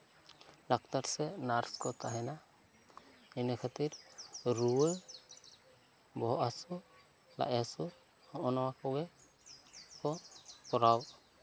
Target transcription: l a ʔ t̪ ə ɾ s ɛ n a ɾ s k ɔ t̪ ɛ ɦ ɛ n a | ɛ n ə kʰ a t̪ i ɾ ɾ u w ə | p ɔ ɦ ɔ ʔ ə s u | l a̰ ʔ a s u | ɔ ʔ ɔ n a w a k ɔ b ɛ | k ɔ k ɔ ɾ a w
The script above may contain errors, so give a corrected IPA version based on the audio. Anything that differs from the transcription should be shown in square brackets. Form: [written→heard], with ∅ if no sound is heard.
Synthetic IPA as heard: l a [ʔ→k] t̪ [ə→a] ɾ s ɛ n a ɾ s k ɔ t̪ [ɛ→a] ɦ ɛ n a | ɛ n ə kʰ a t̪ i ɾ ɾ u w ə | [p→b] ɔ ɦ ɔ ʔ [ə→a] s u | l a̰ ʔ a s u | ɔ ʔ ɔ n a w a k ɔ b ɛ | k ɔ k ɔ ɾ a w